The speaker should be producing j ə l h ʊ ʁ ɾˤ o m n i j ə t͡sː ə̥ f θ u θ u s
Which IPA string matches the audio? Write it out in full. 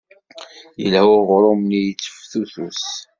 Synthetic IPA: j ə l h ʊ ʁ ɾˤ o m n i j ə t͡sː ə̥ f θ u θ u s